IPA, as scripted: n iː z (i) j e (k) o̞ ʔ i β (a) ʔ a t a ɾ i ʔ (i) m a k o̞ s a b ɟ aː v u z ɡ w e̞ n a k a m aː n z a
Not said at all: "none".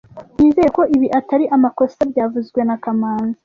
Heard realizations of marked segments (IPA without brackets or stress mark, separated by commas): e, k, i, a